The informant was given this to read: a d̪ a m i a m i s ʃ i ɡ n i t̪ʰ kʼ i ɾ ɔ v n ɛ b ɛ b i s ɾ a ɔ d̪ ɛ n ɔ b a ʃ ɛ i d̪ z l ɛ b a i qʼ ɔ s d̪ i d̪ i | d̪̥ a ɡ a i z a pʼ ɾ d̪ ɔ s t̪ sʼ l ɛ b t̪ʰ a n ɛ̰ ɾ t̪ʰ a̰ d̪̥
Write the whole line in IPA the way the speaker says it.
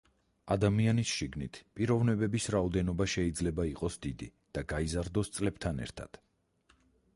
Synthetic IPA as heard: a d̪ a m i a n i s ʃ i ɡ n i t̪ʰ pʼ i ɾ ɔ v n ɛ b ɛ b i s ɾ a ɔ d̪ ɛ n ɔ b a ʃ ɛ i d̪ z l ɛ b a i qʼ ɔ s d̪ i d̪ i | d̪̥ a ɡ a i z a ɾ d̪ ɔ s t̪ sʼ l ɛ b t̪ʰ a n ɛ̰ ɾ t̪ʰ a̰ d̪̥